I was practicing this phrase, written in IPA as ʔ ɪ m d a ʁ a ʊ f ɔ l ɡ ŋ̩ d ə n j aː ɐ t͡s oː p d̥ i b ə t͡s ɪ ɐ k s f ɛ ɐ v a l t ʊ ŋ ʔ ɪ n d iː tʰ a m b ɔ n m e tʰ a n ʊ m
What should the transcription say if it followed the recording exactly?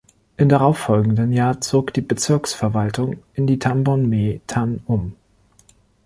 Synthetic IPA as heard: ʔ ɪ m d a ʁ a ʊ f ɔ l ɡ ŋ̩ d ə n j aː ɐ t͡s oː k d̥ iː b ə t͡s ɪ ɐ k s f ɛ ɐ v a l t ʊ ŋ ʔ ɪ n d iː tʰ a m b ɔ n m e tʰ a n ʊ m